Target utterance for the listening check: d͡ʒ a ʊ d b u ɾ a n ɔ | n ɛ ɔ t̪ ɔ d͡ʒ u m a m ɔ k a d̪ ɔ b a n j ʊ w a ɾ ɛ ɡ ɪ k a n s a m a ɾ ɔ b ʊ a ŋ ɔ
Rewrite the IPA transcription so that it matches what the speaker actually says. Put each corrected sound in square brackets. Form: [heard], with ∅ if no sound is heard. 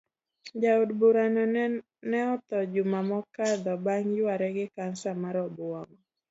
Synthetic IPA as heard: d͡ʒ a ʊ d b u ɾ a n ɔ | n ɛ ɔ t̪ ɔ d͡ʒ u m a m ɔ k a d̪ ɔ b a [ŋ] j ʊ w a ɾ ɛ ɡ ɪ k a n s a m a ɾ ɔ b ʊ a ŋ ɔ